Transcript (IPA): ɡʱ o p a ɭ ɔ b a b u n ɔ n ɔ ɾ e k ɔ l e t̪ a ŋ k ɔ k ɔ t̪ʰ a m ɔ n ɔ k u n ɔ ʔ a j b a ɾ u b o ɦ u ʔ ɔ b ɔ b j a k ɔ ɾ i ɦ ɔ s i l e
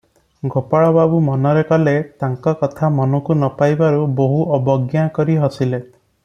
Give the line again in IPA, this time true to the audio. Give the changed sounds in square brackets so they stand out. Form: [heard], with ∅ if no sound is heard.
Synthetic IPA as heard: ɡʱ o p a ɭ ɔ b a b u [m] ɔ n ɔ ɾ e k ɔ l e t̪ a ŋ k ɔ k ɔ t̪ʰ a m ɔ n ɔ k u n ɔ [p] a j b a ɾ u b o ɦ u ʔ ɔ b ɔ [ɡ] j a k ɔ ɾ i ɦ ɔ s i l e